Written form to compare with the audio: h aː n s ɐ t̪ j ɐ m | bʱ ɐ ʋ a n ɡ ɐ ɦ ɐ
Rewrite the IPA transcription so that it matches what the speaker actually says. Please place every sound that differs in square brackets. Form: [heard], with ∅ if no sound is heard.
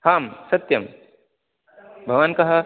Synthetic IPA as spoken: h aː [m] s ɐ t̪ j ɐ m | bʱ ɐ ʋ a n [k] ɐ ɦ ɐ